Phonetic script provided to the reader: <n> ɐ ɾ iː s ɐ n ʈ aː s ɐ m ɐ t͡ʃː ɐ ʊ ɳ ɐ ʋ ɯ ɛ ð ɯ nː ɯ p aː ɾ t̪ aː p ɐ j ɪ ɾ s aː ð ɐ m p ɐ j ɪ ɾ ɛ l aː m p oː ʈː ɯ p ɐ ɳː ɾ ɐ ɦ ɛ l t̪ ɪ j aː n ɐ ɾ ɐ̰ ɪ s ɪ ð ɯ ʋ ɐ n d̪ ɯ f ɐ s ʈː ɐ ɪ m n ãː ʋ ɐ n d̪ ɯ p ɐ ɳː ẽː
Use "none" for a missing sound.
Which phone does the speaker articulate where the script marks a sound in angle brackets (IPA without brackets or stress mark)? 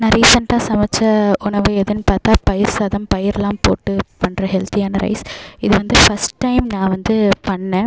n